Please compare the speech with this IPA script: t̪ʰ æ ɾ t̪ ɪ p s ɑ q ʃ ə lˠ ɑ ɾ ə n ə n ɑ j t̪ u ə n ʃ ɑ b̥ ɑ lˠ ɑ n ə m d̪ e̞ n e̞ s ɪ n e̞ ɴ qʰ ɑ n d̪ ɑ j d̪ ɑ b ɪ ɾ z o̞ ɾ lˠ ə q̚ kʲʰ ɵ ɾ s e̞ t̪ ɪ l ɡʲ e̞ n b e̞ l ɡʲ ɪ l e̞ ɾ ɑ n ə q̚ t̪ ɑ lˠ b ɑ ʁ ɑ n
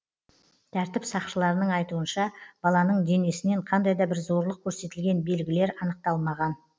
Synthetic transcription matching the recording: t̪ʰ æ ɾ t̪ ɪ p s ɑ q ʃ ə lˠ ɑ ɾ ə n ə ɴ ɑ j t̪ u ə n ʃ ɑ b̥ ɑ lˠ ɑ n ə ɴ d̪ e̞ n e̞ s ɪ n e̞ ɴ qʰ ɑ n d̪ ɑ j d̪ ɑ b ɪ ɾ z o̞ ɾ lˠ ə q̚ kʲʰ ɵ ɾ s e̞ t̪ ɪ l ɡʲ e̞ n b e̞ l ɡʲ ɪ l e̞ ɾ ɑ n ə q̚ t̪ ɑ lˠ m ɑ ʁ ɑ n